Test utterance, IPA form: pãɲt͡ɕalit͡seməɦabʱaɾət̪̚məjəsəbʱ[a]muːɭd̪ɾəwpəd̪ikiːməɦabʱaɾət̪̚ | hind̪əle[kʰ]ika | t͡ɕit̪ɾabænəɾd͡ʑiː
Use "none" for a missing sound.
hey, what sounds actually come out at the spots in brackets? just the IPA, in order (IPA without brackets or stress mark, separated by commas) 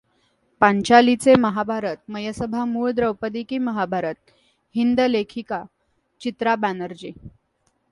a, kʰ